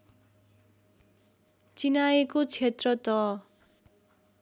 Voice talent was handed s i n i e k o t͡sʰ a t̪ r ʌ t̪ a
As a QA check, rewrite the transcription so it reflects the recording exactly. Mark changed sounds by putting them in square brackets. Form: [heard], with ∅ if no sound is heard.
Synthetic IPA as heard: [t͡s] i n [a] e k o t͡sʰ [e] t̪ r ʌ t̪ [ʌ]